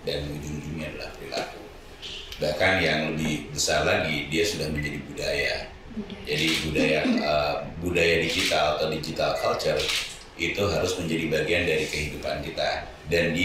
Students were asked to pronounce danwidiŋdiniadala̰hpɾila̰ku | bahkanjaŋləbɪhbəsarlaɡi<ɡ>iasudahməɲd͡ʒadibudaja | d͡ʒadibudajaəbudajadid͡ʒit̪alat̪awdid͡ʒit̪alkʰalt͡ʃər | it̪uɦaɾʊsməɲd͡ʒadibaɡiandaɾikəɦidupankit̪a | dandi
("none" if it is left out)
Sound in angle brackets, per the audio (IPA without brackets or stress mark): d